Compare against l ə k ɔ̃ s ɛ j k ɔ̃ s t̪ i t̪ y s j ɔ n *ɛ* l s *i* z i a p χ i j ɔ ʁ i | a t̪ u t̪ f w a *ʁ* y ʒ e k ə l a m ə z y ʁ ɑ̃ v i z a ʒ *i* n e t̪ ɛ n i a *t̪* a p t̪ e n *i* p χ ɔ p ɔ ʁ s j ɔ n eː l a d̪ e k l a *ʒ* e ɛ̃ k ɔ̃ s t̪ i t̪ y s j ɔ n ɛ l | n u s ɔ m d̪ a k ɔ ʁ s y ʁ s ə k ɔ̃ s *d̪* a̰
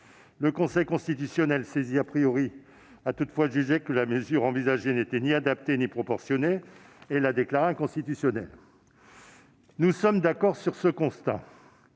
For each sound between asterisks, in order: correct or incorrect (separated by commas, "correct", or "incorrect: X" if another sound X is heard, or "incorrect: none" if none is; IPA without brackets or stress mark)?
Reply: correct, incorrect: e, incorrect: ʒ, incorrect: e, incorrect: d̪, correct, incorrect: ʁ, incorrect: t̪